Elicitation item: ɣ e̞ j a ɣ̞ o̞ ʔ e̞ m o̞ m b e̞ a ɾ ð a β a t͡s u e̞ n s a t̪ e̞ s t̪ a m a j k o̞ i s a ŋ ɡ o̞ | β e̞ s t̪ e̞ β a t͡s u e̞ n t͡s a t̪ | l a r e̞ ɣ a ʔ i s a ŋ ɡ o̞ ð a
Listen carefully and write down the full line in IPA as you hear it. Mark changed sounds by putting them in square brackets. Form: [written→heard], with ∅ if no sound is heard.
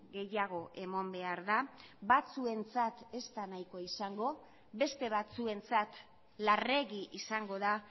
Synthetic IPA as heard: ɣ e̞ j a ɣ̞ o̞ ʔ e̞ m o̞ m b e̞ a ɾ ð a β a t͡s u e̞ n [s→t͡s] a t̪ e̞ s t̪ a [m→n] a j k o̞ i s a ŋ ɡ o̞ | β e̞ s t̪ e̞ β a t͡s u e̞ n t͡s a t̪ | l a r e̞ ɣ [a→i] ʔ i s a ŋ ɡ o̞ ð a